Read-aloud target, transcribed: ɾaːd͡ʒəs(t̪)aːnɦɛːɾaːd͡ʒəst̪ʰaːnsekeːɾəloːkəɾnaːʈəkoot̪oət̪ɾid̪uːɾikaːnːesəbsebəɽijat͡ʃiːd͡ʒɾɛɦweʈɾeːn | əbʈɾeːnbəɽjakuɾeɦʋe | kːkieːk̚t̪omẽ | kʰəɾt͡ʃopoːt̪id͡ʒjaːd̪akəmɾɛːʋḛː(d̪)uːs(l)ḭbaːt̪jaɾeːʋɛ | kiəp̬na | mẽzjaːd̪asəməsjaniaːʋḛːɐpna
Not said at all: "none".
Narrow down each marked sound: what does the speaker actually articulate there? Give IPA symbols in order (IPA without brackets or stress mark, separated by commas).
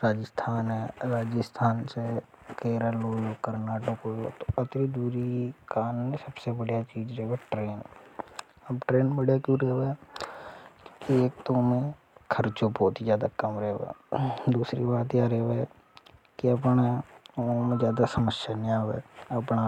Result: t̪ʰ, d̪, ɾ